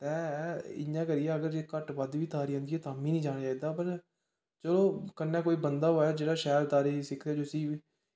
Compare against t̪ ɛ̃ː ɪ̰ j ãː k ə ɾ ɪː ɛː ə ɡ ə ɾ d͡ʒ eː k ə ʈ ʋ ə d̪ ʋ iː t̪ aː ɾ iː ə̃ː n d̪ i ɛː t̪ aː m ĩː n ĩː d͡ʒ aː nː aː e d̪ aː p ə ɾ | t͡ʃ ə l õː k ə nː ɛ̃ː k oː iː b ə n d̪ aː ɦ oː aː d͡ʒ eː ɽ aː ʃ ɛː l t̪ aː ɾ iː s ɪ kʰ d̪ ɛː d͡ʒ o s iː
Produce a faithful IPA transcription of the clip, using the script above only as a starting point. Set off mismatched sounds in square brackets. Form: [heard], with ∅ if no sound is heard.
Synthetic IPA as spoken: t̪ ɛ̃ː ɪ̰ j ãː k ə ɾ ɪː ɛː ə ɡ ə ɾ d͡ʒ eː k ə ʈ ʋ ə d̪ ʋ iː t̪ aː ɾ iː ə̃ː n d̪ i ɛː t̪ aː m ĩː n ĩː d͡ʒ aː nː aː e d̪ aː p ə ɾ | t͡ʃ ə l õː k ə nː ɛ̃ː k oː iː b ə n d̪ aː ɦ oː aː d͡ʒ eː ɽ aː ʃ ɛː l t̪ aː ɾ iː s ɪ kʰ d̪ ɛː d͡ʒ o s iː